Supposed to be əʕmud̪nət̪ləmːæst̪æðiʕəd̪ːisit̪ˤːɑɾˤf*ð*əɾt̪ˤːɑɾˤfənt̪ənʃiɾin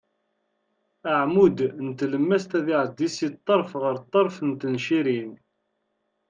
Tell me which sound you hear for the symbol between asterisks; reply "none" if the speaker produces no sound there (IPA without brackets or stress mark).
ʁ